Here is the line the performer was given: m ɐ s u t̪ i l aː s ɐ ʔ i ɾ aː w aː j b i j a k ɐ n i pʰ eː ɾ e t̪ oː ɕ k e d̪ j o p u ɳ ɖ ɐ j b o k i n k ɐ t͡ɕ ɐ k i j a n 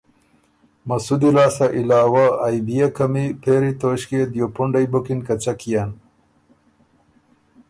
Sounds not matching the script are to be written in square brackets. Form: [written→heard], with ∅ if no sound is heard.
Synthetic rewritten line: m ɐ s u [t̪→d̪] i l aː s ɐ ʔ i [ɾ→l] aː w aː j b i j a k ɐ [n→m] i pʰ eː ɾ [e→i] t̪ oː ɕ k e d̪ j o p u ɳ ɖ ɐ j b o k i n k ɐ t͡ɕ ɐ k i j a n